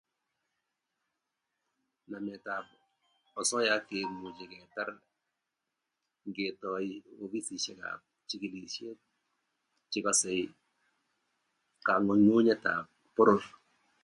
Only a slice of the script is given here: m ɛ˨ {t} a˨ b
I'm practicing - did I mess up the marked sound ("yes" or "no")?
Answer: no